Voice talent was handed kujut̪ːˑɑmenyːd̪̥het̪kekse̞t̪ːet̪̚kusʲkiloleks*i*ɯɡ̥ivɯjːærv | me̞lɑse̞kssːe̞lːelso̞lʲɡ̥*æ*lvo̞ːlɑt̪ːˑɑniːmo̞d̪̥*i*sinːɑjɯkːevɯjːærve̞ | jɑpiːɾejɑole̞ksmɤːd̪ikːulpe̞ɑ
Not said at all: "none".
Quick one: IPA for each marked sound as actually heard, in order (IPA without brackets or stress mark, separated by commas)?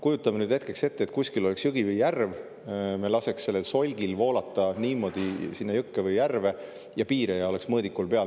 j, i, i